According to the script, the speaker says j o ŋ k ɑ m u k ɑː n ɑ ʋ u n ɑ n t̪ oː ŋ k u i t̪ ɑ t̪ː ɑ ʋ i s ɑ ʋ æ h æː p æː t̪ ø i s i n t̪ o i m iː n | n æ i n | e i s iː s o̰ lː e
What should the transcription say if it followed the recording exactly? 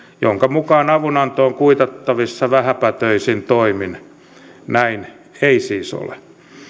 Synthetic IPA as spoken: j o ŋ k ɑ m u k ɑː n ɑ ʋ u n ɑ n t̪ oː ŋ k u i t̪ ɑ t̪ː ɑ ʋ i sː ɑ ʋ æ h æ p æ t̪ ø i s i n t̪ o i m i n | n æ i n | e i s iː s o̰ l e